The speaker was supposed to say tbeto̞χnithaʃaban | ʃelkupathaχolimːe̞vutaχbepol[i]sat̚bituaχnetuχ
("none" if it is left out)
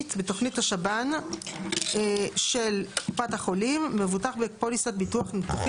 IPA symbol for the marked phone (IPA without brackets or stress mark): i